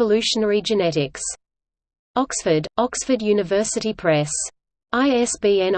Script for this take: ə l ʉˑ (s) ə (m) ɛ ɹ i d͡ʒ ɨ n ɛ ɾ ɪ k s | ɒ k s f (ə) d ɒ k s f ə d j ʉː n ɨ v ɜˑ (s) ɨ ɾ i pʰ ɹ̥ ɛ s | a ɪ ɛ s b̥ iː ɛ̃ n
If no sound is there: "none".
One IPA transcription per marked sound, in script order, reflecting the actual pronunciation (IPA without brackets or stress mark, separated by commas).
ʃ, n, ə, s